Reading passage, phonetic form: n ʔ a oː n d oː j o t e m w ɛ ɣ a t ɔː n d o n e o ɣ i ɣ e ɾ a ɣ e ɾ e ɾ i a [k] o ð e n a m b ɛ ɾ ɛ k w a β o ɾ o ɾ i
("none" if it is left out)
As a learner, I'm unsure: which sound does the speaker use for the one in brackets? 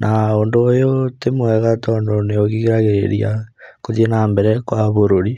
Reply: k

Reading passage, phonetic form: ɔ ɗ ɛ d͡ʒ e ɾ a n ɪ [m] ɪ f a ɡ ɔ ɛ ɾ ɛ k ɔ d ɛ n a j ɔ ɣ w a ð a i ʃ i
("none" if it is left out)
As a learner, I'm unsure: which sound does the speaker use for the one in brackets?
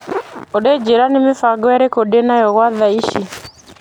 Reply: m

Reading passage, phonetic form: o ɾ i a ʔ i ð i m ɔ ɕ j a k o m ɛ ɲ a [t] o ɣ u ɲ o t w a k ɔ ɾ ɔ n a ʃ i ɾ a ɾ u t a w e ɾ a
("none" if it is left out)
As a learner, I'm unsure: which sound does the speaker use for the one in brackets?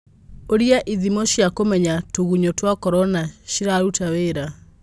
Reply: t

